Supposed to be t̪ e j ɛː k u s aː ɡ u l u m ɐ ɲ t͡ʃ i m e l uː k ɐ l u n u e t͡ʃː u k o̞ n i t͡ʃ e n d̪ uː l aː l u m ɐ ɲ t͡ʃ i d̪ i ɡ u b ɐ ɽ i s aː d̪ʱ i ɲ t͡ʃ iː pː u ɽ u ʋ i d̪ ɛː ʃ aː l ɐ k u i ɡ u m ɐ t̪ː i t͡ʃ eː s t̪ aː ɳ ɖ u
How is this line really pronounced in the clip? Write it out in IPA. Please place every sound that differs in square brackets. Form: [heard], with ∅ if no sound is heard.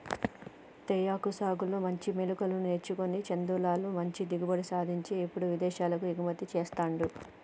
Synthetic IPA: t̪ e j [aː] k u s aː ɡ u l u m ɐ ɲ t͡ʃ i m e l [u] k ɐ l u n u e t͡ʃː u k o̞ n i t͡ʃ e n d̪ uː l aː l u m ɐ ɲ t͡ʃ i d̪ i ɡ u b ɐ ɽ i s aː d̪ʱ i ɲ t͡ʃ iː pː u ɽ u ʋ i d̪ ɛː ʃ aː l ɐ k u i ɡ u m ɐ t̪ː i t͡ʃ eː s t̪ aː ɳ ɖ u